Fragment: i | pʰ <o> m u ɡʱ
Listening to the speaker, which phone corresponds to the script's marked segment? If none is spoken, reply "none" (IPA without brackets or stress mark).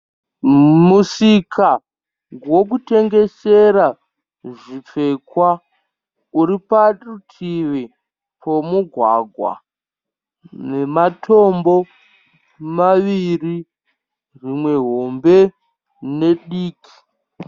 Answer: o